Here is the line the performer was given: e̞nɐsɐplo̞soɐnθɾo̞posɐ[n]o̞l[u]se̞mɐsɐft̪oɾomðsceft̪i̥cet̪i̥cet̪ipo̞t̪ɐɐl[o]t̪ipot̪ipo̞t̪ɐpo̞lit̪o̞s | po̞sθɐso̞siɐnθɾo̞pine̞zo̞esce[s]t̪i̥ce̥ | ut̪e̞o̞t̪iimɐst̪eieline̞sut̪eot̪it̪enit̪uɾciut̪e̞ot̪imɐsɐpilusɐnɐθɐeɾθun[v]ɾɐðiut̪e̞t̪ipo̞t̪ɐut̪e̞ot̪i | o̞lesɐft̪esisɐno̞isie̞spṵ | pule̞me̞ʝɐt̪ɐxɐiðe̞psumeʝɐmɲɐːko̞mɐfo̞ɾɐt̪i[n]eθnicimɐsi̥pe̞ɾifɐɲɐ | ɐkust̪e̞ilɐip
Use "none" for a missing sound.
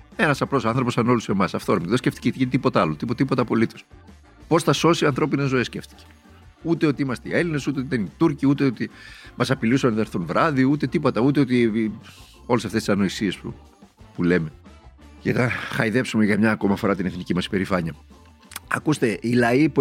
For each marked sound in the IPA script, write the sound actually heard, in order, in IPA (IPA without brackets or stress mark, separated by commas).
n, u, o, f, v, n